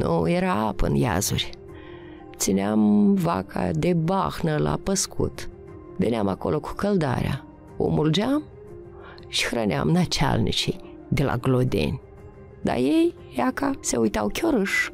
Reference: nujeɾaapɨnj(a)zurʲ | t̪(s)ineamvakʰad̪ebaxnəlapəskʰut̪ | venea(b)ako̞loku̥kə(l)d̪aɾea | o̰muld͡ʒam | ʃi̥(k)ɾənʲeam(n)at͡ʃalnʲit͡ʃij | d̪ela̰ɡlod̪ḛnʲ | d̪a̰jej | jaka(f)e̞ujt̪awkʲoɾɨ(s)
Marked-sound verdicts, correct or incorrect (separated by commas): correct, correct, incorrect, correct, incorrect, correct, incorrect, incorrect